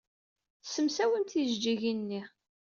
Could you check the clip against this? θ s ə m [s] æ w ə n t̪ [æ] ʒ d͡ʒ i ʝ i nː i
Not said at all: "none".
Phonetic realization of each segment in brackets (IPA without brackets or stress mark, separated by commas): s, i